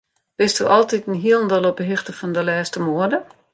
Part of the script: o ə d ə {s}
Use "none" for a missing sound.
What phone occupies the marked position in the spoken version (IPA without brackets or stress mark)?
none